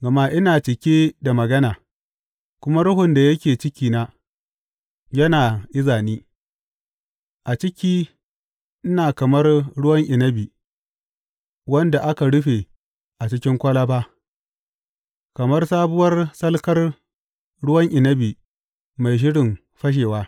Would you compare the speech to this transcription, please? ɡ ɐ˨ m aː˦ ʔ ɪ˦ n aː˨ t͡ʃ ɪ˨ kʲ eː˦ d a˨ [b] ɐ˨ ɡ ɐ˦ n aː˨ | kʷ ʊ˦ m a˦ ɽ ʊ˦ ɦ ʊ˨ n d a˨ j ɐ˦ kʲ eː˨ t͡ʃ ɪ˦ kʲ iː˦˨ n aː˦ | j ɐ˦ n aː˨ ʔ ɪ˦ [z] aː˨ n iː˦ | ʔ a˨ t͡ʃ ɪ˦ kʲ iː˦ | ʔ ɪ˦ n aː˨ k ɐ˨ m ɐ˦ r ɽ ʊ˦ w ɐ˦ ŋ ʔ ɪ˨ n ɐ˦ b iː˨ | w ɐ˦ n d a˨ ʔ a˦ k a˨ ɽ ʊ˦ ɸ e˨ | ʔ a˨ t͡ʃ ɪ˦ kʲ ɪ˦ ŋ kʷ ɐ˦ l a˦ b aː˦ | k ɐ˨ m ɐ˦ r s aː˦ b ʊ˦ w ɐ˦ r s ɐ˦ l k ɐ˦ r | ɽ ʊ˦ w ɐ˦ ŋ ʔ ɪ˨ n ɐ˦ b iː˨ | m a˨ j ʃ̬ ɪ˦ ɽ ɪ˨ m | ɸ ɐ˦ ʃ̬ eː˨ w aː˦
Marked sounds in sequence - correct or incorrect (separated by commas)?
incorrect, correct